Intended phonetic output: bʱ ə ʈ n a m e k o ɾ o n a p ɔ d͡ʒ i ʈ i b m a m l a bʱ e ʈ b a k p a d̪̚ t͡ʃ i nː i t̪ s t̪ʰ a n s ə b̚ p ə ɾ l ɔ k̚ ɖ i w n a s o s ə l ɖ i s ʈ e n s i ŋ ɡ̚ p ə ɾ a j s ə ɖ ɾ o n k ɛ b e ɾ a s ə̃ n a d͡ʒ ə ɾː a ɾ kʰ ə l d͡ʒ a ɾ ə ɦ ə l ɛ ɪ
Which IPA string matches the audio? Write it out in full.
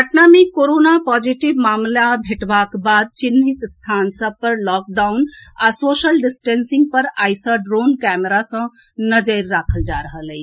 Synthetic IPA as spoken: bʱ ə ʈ n a m e k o ɾ o n a p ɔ d͡ʒ i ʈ i b m a m l a bʱ e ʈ b a k b a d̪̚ t͡ʃ i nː i t̪ s t̪ʰ a n s ə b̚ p ə ɾ l ɔ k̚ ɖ a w n a s o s ə l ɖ i s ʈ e n s i ŋ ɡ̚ p ə ɾ a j s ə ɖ ɾ o n k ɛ m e ɾ a s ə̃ n ə d͡ʒ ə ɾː a kʰ ə l d͡ʒ a ɾ ə ɦ ə l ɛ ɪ